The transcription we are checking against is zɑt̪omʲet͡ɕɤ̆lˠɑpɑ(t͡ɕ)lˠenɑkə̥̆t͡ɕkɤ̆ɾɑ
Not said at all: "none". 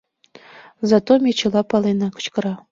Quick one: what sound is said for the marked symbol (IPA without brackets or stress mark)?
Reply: none